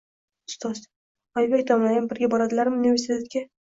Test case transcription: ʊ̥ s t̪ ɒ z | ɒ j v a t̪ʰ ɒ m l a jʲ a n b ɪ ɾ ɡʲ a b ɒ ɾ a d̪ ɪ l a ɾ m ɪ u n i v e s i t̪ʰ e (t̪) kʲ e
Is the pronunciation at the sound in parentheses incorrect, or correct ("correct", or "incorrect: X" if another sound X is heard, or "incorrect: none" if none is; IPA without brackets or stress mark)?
correct